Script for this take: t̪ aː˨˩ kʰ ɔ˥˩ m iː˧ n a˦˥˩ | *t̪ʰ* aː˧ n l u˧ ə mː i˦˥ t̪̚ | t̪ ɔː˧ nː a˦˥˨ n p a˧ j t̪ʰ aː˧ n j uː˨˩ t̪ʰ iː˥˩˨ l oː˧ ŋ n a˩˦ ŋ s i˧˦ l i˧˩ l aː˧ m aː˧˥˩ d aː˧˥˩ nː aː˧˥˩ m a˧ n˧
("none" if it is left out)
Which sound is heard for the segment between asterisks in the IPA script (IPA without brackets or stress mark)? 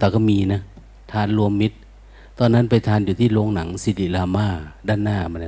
t̪ʰ